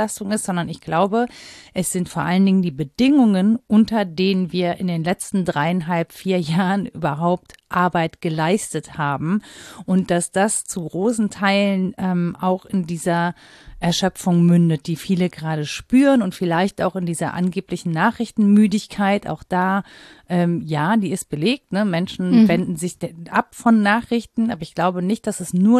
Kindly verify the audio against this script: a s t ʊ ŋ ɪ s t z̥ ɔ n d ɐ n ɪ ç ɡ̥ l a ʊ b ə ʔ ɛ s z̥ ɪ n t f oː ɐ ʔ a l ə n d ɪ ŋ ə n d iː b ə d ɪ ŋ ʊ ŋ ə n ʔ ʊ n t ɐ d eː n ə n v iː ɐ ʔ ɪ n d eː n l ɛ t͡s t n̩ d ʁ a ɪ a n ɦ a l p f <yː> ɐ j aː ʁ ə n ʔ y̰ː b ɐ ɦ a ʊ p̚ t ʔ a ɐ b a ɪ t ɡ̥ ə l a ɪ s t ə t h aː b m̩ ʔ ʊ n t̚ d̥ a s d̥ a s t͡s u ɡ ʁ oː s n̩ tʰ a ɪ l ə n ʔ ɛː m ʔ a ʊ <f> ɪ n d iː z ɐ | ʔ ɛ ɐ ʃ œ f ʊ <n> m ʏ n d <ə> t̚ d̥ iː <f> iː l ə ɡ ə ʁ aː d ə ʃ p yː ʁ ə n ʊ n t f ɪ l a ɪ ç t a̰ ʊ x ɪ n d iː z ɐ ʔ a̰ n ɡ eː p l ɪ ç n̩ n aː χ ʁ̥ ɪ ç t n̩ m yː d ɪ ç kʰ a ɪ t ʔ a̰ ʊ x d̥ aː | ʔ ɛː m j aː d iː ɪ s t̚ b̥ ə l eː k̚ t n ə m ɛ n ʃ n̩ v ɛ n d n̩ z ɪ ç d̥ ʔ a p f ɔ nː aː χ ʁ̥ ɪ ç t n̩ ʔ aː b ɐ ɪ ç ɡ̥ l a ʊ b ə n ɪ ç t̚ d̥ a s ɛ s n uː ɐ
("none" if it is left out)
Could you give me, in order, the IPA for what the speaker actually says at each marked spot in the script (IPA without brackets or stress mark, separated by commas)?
iː, x, ŋ, ə, f